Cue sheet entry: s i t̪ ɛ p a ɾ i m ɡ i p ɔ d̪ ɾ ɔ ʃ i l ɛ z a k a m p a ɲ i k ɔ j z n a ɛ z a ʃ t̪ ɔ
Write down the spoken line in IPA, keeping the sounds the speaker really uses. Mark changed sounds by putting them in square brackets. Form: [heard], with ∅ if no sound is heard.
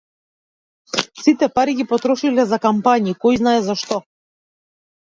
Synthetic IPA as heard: s i t̪ ɛ p a ɾ i [∅] ɡ i p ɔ [t̪] ɾ ɔ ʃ i l ɛ z a k a m p a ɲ i k ɔ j z n a ɛ z a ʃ t̪ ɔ